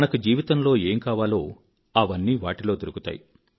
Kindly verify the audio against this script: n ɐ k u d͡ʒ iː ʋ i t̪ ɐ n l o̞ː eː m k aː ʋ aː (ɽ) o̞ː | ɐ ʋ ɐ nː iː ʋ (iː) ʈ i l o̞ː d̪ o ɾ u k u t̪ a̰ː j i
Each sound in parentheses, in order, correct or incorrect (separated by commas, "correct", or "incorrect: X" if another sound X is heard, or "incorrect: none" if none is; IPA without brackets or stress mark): incorrect: l, incorrect: aː